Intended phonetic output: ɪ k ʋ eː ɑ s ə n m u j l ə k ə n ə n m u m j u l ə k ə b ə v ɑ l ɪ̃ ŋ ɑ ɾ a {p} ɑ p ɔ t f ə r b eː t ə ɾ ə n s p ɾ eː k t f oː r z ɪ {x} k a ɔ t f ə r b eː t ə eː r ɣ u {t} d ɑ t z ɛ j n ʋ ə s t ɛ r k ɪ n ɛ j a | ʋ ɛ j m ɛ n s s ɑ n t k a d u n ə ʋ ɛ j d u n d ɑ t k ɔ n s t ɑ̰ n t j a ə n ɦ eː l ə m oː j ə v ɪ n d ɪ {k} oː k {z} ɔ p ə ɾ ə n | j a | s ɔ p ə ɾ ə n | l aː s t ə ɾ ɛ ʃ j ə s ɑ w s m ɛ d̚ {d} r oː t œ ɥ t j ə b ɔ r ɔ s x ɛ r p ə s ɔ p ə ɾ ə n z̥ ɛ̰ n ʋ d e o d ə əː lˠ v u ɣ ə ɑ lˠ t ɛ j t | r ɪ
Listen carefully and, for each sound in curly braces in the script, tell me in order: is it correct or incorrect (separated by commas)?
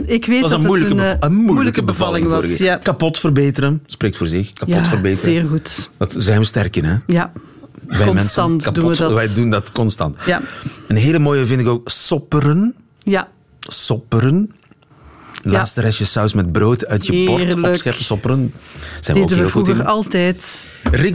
incorrect, correct, correct, correct, incorrect, incorrect